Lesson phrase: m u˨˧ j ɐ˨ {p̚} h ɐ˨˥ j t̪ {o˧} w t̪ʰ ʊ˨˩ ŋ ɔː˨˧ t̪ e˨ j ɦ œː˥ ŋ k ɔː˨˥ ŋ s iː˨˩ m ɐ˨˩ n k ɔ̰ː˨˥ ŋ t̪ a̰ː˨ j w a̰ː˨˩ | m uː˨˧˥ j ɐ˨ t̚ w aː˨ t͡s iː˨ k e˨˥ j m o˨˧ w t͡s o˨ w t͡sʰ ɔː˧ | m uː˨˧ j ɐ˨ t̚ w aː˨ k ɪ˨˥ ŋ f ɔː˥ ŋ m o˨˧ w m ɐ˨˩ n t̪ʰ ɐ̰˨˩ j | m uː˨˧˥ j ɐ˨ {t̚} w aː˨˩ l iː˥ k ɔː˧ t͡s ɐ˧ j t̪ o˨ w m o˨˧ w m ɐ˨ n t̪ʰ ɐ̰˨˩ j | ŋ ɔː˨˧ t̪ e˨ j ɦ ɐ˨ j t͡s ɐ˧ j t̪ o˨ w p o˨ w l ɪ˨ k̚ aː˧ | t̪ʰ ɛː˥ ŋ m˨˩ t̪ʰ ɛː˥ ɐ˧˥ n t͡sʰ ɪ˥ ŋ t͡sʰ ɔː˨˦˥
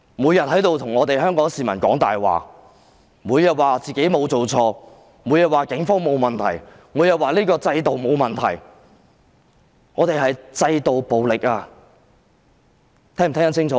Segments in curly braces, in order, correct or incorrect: incorrect: t̚, correct, correct

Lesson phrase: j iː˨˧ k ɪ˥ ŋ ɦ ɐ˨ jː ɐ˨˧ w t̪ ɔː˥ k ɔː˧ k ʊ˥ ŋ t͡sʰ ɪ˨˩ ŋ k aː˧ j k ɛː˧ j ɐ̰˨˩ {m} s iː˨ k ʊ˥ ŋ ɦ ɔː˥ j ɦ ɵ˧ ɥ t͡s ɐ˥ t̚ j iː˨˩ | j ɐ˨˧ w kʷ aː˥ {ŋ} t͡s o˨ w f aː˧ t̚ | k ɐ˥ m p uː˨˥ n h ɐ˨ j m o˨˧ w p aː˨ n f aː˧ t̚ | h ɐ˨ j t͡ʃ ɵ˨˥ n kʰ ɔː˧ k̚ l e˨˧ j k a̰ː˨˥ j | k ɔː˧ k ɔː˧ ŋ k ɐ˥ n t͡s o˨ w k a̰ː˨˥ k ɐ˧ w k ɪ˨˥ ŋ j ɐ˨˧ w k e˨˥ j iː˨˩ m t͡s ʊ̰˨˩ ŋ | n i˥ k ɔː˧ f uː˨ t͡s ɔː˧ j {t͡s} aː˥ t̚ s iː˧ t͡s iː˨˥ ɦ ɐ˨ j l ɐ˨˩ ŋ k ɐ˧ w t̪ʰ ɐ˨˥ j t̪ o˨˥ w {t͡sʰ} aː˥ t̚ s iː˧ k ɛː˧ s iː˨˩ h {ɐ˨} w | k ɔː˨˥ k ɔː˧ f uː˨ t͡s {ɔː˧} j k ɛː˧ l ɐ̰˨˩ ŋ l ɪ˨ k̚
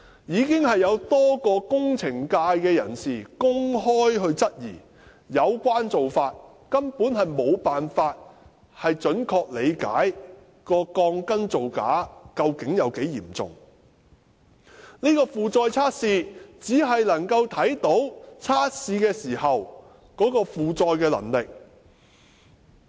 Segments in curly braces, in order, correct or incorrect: incorrect: n, incorrect: n, incorrect: t͡sʰ, correct, correct, correct

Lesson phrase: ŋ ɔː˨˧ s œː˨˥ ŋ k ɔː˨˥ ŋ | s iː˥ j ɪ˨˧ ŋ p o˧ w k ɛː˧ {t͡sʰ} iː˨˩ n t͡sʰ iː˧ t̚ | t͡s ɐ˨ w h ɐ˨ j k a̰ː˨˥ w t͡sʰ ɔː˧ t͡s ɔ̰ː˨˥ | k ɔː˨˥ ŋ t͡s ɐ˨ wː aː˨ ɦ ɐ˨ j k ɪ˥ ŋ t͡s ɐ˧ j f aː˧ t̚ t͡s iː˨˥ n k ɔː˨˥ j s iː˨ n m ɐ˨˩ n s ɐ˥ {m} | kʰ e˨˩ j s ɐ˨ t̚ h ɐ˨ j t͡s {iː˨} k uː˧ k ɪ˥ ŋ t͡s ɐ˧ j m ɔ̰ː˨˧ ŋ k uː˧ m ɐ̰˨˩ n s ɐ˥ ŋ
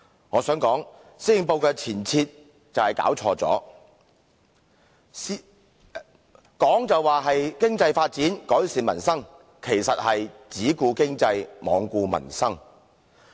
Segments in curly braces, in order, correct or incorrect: correct, incorrect: ŋ, incorrect: iː˨˥

